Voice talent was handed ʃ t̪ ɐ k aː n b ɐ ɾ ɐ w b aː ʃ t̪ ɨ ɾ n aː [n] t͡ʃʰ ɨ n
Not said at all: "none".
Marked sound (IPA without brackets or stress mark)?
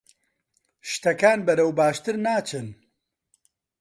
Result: none